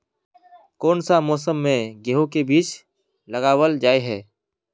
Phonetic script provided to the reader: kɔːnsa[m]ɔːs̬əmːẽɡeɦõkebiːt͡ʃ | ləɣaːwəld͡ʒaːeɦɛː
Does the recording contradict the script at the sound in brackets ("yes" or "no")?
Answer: no